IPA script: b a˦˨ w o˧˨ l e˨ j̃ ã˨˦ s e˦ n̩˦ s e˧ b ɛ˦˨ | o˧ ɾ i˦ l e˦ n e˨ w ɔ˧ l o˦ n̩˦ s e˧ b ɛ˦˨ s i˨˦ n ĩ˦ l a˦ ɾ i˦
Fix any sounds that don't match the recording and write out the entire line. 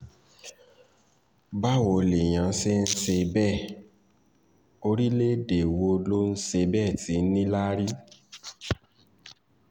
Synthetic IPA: b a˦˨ w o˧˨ l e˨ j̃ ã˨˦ s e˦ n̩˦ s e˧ b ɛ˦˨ | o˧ ɾ i˦ l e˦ d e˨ w o˧ l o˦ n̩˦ s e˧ b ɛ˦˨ t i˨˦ n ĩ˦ l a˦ ɾ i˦